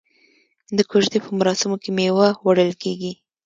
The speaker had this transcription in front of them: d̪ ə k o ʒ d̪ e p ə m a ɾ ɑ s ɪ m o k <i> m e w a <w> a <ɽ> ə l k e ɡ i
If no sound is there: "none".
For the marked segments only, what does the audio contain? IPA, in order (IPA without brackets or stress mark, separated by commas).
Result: e, w, ɽ